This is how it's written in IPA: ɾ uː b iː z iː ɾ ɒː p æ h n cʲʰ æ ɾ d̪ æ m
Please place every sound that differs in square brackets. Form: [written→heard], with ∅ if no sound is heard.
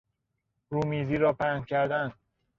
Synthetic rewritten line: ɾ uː [b→m] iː z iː ɾ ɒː p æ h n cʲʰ æ ɾ d̪ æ [m→n]